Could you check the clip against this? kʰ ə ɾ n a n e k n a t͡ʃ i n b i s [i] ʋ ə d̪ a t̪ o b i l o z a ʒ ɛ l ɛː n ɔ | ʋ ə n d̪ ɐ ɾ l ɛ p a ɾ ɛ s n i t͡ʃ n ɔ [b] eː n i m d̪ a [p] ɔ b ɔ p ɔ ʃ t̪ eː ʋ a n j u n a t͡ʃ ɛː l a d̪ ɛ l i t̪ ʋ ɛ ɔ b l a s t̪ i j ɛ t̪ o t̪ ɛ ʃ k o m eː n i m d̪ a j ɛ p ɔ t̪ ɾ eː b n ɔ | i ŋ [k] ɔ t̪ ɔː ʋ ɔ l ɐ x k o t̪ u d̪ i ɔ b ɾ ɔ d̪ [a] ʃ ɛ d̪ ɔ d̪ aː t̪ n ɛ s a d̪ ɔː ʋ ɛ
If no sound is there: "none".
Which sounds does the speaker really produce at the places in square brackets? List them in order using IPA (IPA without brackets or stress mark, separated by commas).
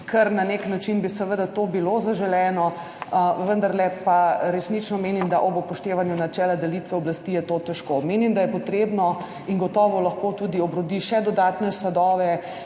ɛ, m, ʔ, ɡ, i